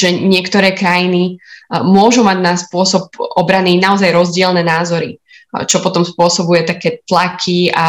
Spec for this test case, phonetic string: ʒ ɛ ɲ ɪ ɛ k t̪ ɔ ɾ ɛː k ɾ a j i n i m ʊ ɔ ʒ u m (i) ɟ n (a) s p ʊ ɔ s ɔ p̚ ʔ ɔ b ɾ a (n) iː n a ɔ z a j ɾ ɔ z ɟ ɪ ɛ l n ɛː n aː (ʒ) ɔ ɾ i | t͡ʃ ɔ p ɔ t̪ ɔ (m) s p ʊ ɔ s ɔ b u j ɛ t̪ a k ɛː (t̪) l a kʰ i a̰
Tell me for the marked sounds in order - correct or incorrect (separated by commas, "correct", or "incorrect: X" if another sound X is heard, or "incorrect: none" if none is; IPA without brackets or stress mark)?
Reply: incorrect: a, correct, correct, incorrect: z, correct, correct